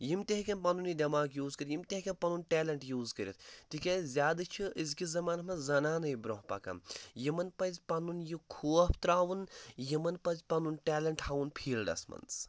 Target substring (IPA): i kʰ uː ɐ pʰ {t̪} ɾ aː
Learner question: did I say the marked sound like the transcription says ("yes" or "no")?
yes